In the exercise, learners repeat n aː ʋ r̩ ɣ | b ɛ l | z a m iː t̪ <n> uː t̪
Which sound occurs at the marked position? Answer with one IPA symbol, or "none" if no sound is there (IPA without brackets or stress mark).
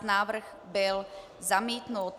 n